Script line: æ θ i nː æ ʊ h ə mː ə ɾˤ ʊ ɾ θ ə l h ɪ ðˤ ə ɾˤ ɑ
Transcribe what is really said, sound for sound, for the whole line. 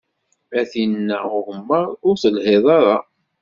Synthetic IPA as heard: æ θ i nː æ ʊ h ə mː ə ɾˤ ʊ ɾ θ ə l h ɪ ðˤ ɑ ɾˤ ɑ